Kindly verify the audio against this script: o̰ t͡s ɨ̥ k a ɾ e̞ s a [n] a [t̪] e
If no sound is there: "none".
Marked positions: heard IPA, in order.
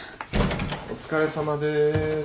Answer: m, d̪

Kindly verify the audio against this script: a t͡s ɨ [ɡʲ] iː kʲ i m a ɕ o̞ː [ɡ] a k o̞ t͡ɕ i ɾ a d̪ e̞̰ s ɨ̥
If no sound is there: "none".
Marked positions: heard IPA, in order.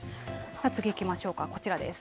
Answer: ɡʲ, k

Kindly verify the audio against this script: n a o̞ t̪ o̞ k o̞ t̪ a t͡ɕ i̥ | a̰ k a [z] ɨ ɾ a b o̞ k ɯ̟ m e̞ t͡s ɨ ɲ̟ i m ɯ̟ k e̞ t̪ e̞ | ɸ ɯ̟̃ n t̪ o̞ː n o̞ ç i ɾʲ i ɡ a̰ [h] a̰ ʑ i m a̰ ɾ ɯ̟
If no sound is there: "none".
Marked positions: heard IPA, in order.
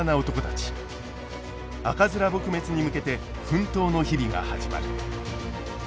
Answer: z, h

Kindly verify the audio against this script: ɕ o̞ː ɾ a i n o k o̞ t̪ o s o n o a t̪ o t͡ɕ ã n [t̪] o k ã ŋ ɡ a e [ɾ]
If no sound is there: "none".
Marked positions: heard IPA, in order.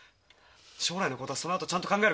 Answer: t̪, ɾ

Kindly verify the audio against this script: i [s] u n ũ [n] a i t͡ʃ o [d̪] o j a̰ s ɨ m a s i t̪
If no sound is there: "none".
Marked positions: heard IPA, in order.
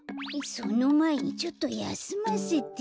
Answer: s, m, t̪

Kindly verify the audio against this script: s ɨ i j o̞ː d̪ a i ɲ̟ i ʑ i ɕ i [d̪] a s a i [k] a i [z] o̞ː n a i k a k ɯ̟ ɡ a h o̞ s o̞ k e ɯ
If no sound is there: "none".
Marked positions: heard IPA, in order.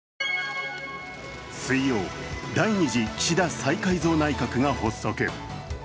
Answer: d̪, k, z

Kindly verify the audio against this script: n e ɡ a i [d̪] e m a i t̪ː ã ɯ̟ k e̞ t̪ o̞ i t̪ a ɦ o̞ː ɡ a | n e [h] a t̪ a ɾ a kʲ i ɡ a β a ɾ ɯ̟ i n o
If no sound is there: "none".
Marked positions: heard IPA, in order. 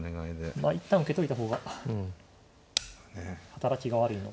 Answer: d̪, h

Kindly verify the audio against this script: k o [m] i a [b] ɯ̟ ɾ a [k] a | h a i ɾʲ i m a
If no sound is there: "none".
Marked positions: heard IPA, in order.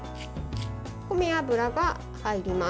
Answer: m, b, ɡ

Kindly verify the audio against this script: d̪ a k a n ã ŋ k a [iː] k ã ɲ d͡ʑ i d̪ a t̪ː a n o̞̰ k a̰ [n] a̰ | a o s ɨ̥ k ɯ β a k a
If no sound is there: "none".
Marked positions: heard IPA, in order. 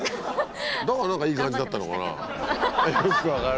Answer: iː, n

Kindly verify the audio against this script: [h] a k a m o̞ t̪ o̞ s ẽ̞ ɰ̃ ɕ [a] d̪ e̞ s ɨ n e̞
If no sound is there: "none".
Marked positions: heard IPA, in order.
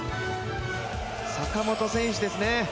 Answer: s, i

